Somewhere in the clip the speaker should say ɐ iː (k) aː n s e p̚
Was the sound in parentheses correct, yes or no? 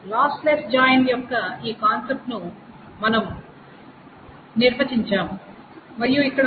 yes